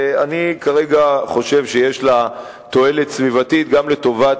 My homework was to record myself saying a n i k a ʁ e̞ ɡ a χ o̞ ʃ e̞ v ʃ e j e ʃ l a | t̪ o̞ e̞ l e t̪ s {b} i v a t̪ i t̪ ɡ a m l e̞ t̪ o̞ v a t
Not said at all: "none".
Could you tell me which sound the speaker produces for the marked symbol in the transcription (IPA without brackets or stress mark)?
v